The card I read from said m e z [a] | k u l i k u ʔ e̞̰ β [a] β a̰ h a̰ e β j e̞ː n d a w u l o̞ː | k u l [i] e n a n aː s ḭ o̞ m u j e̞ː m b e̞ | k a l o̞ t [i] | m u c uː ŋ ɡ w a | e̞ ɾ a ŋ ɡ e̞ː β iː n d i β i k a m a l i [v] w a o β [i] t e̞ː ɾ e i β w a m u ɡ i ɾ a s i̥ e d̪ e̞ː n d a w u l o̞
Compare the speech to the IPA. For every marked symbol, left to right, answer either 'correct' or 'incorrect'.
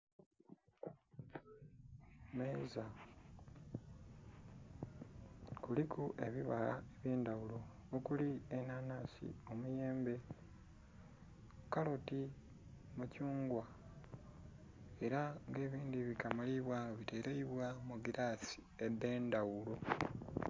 correct, incorrect, correct, correct, incorrect, correct

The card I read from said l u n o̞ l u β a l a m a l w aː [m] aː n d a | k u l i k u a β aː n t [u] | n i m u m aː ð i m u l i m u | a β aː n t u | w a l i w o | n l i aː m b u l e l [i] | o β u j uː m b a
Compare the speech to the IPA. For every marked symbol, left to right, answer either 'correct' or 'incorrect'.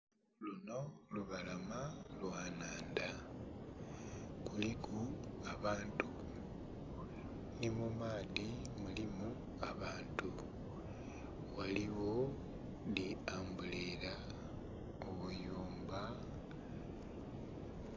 incorrect, correct, incorrect

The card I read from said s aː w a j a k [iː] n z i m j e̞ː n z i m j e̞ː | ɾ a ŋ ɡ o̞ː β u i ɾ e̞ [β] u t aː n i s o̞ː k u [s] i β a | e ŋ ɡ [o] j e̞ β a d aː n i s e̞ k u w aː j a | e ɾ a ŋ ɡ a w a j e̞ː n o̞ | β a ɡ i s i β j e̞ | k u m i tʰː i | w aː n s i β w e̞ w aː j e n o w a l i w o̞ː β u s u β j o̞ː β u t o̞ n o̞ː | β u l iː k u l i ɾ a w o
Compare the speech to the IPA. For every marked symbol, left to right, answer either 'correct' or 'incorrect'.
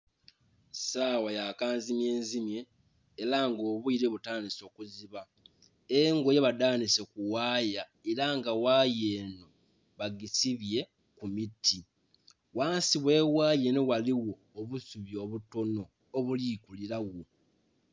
incorrect, correct, incorrect, correct

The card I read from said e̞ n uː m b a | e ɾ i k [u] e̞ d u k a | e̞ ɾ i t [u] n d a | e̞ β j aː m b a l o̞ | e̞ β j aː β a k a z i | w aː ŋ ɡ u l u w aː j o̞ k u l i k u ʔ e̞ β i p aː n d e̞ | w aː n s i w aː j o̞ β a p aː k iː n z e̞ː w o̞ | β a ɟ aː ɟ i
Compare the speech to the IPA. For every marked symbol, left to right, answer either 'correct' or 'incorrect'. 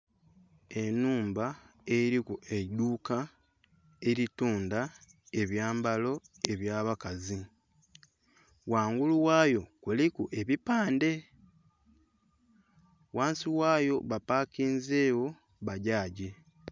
correct, incorrect

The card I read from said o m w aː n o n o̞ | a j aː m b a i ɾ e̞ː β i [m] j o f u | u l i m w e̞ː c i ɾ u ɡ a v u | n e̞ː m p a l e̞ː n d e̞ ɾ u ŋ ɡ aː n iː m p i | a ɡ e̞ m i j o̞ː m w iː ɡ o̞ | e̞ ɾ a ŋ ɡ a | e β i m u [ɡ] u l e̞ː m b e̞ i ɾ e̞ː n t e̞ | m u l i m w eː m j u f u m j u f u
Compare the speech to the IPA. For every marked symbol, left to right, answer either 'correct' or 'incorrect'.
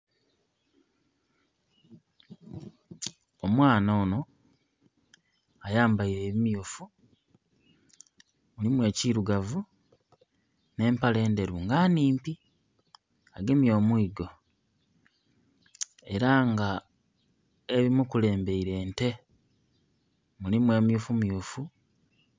correct, incorrect

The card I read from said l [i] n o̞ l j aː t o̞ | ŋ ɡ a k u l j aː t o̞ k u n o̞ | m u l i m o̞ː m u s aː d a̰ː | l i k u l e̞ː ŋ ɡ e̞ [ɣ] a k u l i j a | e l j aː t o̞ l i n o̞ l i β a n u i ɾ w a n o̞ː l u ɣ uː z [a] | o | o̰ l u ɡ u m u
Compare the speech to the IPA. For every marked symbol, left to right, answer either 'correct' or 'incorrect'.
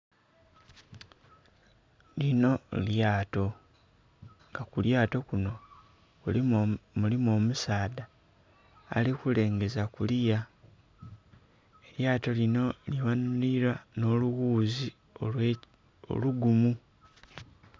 correct, incorrect, incorrect

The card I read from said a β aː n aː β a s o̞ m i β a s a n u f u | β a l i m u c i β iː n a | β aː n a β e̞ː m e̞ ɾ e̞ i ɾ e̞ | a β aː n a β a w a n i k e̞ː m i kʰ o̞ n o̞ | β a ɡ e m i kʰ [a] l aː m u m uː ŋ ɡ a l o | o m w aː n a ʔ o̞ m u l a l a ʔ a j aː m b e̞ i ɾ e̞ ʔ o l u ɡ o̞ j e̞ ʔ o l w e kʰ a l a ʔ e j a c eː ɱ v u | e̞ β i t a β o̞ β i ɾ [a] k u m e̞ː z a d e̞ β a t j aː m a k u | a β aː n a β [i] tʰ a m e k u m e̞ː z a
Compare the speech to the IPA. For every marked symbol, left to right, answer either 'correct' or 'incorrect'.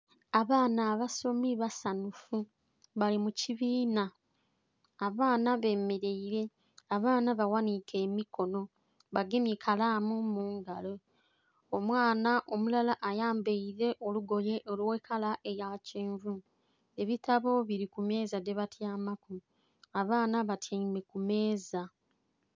correct, incorrect, incorrect

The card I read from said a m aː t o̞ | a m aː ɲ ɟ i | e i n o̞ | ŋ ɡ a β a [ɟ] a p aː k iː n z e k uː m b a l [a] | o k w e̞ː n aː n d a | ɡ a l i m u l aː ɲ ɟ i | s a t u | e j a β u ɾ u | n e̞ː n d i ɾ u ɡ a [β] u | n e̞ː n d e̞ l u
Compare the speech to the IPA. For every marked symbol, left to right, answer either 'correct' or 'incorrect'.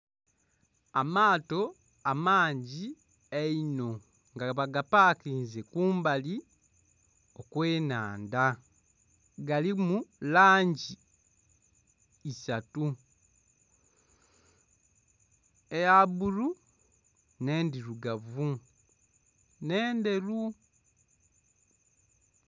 incorrect, incorrect, incorrect

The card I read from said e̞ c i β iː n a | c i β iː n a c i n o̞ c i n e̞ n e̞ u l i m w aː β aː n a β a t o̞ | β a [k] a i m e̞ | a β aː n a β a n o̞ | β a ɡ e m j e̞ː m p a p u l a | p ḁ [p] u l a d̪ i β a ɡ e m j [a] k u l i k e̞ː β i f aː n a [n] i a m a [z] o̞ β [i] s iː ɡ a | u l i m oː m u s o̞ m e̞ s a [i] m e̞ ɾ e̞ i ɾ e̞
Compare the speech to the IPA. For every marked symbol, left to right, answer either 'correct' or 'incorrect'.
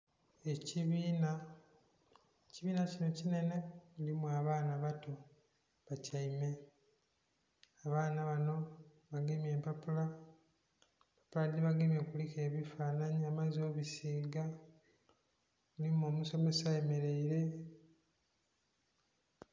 incorrect, correct, incorrect, incorrect, correct, correct, incorrect

